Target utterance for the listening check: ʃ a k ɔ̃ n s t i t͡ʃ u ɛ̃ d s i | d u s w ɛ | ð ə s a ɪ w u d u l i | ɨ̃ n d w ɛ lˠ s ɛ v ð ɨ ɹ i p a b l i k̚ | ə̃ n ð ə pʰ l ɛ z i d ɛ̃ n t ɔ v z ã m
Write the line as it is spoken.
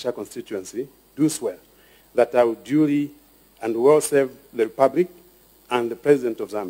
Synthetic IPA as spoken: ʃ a k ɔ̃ n s t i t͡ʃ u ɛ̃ n s i | d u s w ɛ | ð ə t a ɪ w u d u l i | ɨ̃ n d w ɛ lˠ s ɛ v ð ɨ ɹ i p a b l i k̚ | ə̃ n ð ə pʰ ɹ ɛ z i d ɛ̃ n t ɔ v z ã m

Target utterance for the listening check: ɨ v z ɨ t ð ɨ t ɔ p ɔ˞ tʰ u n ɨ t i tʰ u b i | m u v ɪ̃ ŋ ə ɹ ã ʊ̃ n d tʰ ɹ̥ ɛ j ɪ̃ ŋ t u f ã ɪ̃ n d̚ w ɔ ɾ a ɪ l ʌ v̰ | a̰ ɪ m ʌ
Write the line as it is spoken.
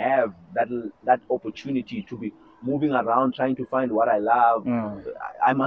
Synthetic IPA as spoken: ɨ v ð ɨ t ð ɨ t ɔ p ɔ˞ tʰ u n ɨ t i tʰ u b i | m u v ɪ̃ ŋ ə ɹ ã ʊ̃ n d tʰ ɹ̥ a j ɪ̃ ŋ t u f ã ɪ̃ n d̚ w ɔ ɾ a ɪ l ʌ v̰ | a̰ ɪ m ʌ

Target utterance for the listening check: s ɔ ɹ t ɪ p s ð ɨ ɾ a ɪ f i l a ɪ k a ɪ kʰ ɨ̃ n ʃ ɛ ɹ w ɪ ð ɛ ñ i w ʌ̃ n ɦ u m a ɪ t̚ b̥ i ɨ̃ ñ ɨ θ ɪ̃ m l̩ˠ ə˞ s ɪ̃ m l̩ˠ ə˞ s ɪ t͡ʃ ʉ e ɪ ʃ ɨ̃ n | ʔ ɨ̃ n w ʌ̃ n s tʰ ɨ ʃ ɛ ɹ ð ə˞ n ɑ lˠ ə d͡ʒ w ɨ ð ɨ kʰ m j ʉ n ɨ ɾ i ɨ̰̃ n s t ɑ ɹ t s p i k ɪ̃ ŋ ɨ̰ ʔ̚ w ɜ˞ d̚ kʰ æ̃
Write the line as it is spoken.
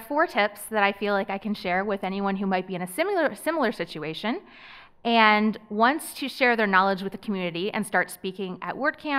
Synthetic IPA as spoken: f ɔ ɹ tʰ ɪ p s ð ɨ ɾ a ɪ f i l a ɪ k a ɪ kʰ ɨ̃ n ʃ ɛ ɹ w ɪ ð ɛ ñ i w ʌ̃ n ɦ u m a ɪ t̚ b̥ i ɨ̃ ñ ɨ s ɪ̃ m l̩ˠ ə˞ s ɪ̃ m l̩ˠ ə˞ s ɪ t͡ʃ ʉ e ɪ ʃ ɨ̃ n | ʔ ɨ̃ n w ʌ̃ n s tʰ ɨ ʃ ɛ ɹ ð ə˞ n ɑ lˠ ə d͡ʒ w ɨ ð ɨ kʰ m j ʉ n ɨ ɾ i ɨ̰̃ n s t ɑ ɹ t s p i k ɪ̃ ŋ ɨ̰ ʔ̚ w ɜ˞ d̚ kʰ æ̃

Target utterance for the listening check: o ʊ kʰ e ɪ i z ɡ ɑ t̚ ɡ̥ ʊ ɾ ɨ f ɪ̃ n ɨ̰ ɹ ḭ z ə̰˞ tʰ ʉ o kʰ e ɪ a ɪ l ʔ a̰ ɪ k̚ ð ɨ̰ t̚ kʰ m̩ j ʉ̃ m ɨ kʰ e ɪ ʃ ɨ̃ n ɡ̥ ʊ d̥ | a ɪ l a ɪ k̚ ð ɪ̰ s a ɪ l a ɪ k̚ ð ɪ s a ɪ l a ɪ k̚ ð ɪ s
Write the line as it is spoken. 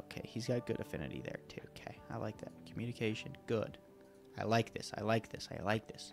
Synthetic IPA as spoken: o ʊ kʰ e ɪ i z ɡ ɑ t̚ ɡ̥ ʊ ɾ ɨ f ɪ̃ n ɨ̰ ɾ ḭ ð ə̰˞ tʰ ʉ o kʰ e ɪ a ɪ l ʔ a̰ ɪ k̚ ð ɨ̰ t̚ kʰ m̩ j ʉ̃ n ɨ kʰ e ɪ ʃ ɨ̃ n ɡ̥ ʊ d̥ | a ɪ l a ɪ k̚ ð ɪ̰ s a ɪ l a ɪ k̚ ð ɪ s a ɪ l a ɪ k̚ ð ɪ s

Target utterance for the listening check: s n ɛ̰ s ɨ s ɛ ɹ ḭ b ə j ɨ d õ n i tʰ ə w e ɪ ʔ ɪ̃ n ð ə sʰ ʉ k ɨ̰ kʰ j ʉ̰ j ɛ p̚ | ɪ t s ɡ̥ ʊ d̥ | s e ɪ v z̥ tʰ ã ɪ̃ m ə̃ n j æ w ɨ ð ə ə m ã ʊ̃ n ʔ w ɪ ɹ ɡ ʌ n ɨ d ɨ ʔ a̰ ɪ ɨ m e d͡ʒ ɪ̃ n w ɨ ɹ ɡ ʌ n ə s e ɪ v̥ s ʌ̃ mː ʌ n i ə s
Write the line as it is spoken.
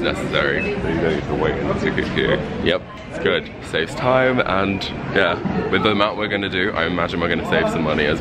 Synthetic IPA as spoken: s n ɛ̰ s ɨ s ɛ ɹ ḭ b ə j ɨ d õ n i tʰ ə w e ɪ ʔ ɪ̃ n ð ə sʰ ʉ k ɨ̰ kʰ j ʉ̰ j ɛ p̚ | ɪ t s ɡ̥ ʊ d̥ | s e ɪ v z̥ tʰ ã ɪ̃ m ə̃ n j æ w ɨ ð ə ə m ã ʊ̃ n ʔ w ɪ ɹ ɡ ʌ n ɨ d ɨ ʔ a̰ ɪ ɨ m a d͡ʒ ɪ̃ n w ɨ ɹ ɡ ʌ n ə s e ɪ v̥ s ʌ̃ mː ʌ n i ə z

